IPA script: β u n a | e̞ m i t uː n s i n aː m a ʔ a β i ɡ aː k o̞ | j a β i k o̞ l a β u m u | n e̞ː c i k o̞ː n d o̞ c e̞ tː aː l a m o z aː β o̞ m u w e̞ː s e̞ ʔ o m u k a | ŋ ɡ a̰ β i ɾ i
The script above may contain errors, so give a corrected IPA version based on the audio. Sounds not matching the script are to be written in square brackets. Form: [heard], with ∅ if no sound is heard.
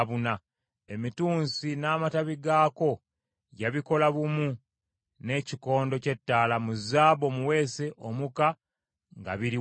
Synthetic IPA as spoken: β u n a | e̞ m i t uː n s i n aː m a [t] a β i ɡ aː k o̞ | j a β i k o̞ l a β u m u | n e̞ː c i k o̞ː n d o̞ c e̞ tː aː l a m [u] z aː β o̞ m u w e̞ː s e̞ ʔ o m u k a | ŋ ɡ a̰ β i ɾ i